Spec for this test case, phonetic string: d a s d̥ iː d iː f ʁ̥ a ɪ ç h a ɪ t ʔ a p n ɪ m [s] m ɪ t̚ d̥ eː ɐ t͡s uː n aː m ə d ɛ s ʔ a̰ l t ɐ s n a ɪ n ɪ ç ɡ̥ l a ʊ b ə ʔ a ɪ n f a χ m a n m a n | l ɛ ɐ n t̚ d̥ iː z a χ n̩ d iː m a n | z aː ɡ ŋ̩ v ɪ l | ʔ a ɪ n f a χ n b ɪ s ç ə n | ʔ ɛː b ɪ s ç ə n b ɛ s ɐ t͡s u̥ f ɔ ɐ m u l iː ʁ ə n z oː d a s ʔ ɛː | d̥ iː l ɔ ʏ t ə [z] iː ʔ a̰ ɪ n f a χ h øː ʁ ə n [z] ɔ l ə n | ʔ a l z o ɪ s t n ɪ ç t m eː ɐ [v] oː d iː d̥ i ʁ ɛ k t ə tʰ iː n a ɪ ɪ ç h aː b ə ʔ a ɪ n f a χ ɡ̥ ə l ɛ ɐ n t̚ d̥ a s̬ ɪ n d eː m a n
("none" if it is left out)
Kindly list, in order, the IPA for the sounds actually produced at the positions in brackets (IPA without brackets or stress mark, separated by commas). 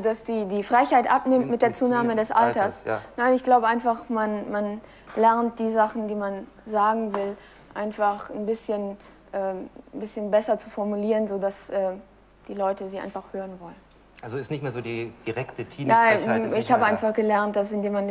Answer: t, z, v, z